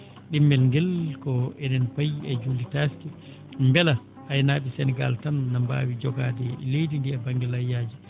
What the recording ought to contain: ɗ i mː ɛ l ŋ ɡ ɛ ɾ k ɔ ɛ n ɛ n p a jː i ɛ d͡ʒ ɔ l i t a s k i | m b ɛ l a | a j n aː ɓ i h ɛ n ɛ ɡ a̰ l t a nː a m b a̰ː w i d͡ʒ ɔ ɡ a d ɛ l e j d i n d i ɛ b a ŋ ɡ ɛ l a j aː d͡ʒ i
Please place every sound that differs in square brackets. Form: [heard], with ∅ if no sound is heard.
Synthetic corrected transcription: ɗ i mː ɛ l ŋ ɡ ɛ [l] k ɔ ɛ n ɛ n p a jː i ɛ d͡ʒ [u] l i t a s k i | m b ɛ l a | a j n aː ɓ i [s] ɛ n ɛ ɡ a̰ l t a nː a m b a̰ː w i d͡ʒ ɔ ɡ a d ɛ l e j d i n d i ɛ b a ŋ ɡ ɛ l a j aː d͡ʒ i